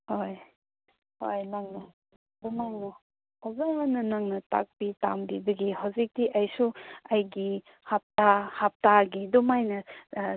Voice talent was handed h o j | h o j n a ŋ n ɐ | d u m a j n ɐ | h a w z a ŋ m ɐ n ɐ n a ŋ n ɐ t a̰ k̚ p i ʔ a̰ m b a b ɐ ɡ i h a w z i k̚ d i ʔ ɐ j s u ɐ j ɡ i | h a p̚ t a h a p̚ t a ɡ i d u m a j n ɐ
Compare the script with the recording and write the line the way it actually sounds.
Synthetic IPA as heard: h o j | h o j n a ŋ n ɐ | d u m a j n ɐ | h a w z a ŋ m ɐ n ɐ n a ŋ n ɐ t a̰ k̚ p i t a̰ m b i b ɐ ɡ i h a w z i k̚ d i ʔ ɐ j s u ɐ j ɡ i | h a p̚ t a h a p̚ t a ɡ i d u m a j n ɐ